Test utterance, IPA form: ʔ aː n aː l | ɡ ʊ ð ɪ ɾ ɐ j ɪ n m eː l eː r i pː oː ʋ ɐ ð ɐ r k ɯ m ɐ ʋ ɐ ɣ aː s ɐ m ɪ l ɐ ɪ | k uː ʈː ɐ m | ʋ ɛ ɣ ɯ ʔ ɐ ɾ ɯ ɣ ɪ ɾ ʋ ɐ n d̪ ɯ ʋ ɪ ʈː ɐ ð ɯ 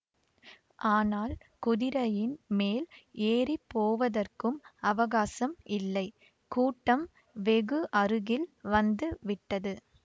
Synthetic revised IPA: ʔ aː n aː l | k ʊ ð ɪ ɾ ɐ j ɪ n m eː l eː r i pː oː ʋ ɐ ð ɐ r k ɯ m ɐ ʋ ɐ ɣ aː s ɐ m ɪ lː ɐ ɪ | k uː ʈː ɐ m | ʋ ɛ ɣ ɯ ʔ ɐ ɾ ɯ ɣ ɪ l ʋ ɐ n d̪ ɯ ʋ ɪ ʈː ɐ ð ɯ